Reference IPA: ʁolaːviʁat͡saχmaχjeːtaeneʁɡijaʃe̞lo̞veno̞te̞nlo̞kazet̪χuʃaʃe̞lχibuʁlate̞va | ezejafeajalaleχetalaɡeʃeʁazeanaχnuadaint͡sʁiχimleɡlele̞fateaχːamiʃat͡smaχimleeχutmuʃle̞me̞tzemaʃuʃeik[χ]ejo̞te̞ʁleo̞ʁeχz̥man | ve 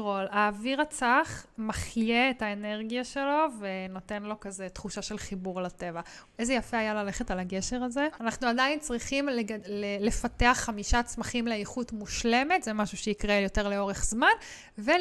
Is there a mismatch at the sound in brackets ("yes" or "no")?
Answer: yes